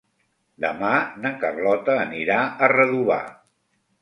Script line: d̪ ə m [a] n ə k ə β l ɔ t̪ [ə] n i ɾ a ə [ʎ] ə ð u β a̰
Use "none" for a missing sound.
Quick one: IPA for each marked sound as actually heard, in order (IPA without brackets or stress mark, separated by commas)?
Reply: a, əː, r